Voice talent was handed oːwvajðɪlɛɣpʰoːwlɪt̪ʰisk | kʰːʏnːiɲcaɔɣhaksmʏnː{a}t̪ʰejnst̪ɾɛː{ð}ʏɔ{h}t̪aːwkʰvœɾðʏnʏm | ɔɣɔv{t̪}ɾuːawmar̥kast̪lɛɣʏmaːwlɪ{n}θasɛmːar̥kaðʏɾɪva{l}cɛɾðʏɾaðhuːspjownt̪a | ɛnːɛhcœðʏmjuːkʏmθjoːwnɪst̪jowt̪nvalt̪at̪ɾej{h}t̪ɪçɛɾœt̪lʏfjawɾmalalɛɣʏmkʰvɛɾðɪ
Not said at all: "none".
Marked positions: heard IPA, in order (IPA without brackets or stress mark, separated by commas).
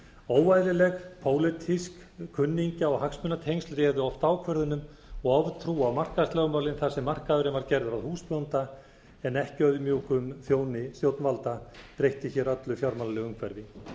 a, ð, f, t̪ʰ, n, ɾ, h